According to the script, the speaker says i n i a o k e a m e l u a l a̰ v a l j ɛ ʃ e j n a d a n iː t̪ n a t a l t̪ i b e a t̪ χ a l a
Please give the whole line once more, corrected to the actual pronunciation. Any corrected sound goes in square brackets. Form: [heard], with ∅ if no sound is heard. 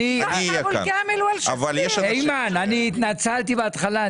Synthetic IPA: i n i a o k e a m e l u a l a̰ v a l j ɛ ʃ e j [m] a [n] a n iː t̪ n a [t͡s] a l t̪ i b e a t̪ χ a l a